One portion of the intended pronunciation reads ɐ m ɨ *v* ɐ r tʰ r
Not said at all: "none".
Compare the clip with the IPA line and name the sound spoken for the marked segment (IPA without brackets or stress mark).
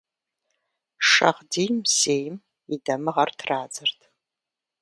ʁ